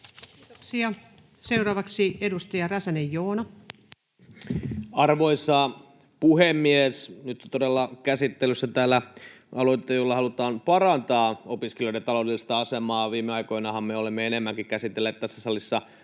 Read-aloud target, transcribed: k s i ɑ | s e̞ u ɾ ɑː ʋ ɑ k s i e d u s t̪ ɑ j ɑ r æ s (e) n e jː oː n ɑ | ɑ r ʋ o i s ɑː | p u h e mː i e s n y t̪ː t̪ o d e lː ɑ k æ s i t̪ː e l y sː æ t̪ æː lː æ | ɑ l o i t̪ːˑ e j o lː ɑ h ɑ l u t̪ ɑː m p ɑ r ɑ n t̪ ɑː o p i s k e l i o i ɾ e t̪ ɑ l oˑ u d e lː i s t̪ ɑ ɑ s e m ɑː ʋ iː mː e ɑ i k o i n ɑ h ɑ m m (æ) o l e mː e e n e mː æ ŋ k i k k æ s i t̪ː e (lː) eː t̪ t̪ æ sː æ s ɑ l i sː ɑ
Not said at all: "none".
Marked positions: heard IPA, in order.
æ, e, lː

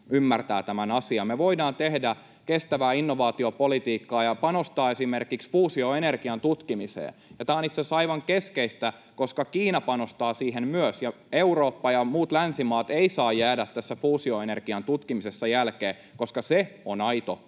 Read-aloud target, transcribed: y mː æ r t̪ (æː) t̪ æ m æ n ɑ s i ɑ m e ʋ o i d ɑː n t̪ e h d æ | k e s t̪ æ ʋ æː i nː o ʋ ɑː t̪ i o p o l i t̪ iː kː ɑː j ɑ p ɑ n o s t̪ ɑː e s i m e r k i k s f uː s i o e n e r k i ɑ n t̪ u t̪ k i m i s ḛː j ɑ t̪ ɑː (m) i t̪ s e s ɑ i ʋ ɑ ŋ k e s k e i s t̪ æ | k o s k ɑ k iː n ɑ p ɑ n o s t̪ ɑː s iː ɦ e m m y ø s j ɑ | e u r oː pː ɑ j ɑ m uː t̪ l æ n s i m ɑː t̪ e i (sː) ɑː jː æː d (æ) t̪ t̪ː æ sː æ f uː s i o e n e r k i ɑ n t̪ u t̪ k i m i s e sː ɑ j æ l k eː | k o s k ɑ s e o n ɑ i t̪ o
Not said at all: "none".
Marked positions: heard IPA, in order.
æː, n, s, æ

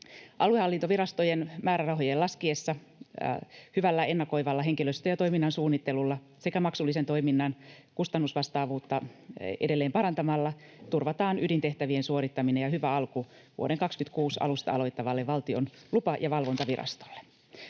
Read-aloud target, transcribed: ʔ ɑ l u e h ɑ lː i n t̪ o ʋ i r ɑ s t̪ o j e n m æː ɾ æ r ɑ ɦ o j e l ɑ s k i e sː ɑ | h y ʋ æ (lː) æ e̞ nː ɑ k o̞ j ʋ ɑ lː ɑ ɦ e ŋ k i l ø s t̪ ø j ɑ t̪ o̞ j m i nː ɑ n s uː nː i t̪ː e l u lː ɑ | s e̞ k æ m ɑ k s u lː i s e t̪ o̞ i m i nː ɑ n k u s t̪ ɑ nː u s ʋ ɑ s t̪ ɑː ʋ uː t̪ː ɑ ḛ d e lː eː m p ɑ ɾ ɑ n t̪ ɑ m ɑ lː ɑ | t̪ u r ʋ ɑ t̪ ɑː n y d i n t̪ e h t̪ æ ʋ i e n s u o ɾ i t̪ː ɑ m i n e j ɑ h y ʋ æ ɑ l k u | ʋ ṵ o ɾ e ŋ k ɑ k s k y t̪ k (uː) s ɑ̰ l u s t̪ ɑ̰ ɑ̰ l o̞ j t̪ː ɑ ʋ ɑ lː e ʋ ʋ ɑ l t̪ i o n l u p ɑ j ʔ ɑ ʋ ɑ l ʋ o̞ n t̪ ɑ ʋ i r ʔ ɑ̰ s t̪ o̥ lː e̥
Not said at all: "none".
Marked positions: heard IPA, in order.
lː, uː

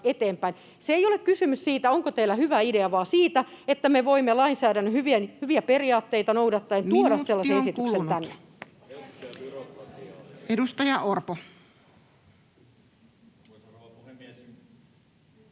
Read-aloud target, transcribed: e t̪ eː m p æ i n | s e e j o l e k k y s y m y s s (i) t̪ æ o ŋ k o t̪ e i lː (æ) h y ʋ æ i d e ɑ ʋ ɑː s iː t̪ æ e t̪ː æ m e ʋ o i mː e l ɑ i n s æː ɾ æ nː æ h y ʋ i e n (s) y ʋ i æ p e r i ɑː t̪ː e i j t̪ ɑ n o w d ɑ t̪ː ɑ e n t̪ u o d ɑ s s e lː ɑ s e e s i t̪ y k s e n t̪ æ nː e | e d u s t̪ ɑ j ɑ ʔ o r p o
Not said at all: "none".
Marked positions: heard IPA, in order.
iː, æ, h

